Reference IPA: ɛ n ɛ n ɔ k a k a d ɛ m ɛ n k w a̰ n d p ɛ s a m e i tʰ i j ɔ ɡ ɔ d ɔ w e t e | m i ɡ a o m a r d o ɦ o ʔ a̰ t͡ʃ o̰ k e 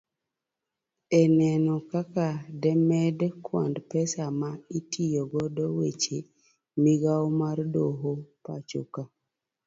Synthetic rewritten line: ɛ n ɛ n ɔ k a k a d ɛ m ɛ d k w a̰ n d p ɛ s a m a i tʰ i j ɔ ɡ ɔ d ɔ w e t͡ʃ e | m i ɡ a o m a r d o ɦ o p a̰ t͡ʃ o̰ k a